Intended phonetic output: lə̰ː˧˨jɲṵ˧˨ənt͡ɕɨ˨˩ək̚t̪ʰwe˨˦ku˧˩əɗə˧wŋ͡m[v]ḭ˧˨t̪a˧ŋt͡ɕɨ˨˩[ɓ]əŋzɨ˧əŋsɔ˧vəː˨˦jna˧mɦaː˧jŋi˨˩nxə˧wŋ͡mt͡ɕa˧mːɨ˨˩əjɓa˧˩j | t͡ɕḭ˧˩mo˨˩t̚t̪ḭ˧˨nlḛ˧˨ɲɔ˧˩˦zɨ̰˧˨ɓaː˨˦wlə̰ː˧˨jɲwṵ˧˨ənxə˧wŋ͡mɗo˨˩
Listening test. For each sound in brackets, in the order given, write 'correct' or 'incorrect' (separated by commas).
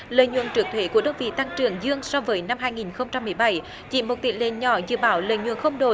correct, incorrect